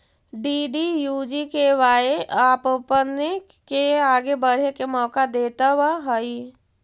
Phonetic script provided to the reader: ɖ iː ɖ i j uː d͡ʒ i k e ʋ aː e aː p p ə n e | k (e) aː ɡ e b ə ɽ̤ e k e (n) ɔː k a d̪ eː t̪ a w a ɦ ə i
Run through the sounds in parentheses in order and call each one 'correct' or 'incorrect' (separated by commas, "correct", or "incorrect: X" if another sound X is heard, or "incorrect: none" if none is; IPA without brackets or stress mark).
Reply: correct, incorrect: m